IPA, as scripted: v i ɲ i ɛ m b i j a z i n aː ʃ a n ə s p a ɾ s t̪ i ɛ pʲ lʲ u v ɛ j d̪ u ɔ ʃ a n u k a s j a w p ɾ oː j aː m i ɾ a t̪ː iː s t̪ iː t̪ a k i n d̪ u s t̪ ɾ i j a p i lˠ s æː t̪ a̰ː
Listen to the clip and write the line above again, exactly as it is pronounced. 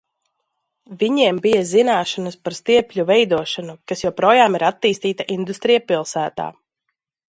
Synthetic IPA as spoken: v i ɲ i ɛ m b i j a z i n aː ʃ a n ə s p a ɾ s t̪ i ɛ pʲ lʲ u v ɛ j d̪ u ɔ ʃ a n u k a s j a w p ɾ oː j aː m i ɾ a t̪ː iː s t̪ iː t̪ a ʔ i n d̪ u s t̪ ɾ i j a p i lˠ s æː t̪ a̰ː